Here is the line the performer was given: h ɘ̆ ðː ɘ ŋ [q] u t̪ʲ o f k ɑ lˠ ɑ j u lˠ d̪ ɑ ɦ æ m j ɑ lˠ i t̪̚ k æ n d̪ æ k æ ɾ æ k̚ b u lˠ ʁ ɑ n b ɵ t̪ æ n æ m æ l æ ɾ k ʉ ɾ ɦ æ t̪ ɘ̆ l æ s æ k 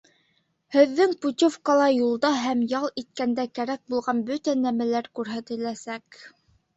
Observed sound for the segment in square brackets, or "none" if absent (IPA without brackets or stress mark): p